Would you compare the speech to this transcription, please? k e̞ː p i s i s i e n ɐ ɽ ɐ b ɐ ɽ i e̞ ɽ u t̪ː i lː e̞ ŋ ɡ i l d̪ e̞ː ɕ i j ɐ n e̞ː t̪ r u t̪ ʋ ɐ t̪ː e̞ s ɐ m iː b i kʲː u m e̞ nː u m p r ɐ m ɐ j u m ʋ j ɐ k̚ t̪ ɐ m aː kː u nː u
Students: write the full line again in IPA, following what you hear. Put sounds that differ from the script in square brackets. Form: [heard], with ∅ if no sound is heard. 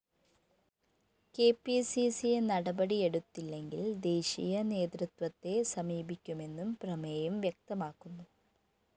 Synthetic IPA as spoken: k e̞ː p i s i s i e n ɐ ɽ ɐ b ɐ ɽ i e̞ ɽ u t̪ː i lː e̞ ŋ ɡ i l d̪ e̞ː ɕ i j ɐ n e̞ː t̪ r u t̪ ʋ ɐ t̪ː e̞ s ɐ m iː b i kʲː u m e̞ nː u m p r ɐ m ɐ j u m ʋ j ɐ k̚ t̪ ɐ m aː kː u nː u